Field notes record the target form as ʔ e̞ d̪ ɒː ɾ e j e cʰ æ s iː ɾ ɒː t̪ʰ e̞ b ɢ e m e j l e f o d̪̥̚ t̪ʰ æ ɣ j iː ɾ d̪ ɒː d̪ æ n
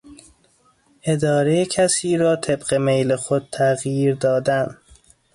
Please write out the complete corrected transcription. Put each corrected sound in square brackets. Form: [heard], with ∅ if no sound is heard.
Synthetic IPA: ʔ e̞ d̪ ɒː ɾ e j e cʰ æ s iː ɾ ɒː t̪ʰ e̞ b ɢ e m e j l e [x] o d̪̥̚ t̪ʰ æ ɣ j iː ɾ d̪ ɒː d̪ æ n